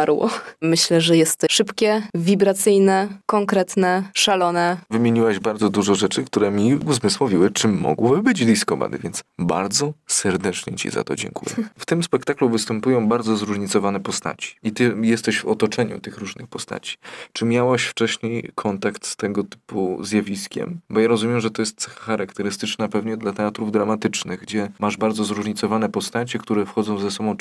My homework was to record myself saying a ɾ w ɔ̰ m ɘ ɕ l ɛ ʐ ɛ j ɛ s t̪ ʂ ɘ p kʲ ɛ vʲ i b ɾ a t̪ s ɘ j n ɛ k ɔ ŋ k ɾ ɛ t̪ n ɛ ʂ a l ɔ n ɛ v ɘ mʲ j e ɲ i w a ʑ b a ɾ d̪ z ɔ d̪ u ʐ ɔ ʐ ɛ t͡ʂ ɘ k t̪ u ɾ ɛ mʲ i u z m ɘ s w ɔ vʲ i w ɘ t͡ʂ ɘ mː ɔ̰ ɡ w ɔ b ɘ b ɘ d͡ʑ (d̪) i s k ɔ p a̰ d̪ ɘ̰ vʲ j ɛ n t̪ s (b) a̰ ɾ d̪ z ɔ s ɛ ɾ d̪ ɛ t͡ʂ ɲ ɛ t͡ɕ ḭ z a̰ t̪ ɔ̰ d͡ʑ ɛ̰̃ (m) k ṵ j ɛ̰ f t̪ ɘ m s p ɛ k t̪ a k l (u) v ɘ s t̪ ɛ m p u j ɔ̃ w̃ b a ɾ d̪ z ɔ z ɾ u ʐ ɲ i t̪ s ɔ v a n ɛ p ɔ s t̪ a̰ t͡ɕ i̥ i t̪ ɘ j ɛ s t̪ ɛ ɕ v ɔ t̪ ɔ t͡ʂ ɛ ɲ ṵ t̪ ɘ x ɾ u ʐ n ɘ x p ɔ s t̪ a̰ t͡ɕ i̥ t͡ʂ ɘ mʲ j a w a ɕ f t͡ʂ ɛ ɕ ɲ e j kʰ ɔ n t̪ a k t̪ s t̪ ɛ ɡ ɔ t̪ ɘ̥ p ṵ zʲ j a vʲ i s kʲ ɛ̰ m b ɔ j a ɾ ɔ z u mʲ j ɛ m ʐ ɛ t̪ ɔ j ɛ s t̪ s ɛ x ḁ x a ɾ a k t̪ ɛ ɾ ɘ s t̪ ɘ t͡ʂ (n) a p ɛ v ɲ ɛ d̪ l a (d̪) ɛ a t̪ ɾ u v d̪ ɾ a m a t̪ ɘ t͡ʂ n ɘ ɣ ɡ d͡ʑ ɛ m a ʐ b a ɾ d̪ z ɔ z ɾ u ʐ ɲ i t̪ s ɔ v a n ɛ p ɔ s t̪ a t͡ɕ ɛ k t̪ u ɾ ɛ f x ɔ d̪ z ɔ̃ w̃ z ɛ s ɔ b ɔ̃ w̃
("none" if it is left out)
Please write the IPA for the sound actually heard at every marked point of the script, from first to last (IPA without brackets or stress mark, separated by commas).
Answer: d̪, b, ŋ, u, n, t̪